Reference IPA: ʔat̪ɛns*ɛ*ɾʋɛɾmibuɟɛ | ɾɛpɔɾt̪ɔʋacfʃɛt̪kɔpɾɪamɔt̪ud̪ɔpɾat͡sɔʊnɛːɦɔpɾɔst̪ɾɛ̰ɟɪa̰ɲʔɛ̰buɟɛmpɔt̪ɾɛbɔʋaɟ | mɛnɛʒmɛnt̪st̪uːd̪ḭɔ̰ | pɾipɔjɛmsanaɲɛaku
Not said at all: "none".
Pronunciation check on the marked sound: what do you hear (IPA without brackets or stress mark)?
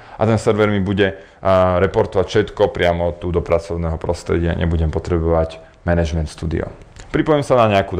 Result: ɛ